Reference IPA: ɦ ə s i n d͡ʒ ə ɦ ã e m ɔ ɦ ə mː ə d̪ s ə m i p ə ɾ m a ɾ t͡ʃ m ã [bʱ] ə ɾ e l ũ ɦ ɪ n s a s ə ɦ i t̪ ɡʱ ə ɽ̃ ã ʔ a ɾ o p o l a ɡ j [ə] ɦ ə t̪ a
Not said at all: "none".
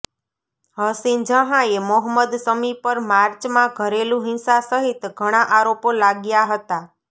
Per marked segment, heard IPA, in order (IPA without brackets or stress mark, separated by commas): ɡʱ, a